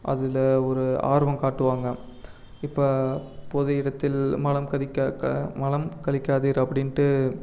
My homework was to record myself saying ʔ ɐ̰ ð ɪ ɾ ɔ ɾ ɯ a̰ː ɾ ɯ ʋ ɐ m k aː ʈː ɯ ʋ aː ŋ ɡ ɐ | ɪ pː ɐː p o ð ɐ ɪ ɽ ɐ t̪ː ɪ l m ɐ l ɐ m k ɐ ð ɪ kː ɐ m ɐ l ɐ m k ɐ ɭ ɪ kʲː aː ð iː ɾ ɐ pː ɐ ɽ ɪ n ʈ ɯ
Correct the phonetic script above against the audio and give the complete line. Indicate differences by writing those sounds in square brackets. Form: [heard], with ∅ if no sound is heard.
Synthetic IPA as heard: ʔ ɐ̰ ð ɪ [l] ɔ ɾ ɯ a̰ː ɾ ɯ ʋ ɐ m k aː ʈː ɯ ʋ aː ŋ ɡ ɐ | ɪ pː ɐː p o ð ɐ ɪ ɽ ɐ t̪ː ɪ l m ɐ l ɐ m k ɐ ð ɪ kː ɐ m ɐ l ɐ m k ɐ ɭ ɪ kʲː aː ð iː ɾ ɐ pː ɐ ɽ ɪ n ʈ ɯ